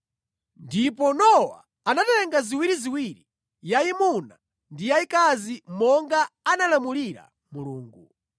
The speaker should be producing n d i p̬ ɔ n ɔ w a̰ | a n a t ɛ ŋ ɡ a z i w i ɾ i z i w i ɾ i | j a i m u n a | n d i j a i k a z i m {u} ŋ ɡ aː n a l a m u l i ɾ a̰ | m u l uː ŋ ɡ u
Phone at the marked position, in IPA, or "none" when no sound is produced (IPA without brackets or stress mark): ɔ